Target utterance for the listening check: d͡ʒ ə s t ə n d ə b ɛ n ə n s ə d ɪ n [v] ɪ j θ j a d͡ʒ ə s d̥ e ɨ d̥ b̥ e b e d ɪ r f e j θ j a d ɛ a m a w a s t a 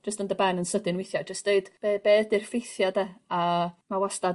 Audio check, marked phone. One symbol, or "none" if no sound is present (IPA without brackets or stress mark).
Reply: w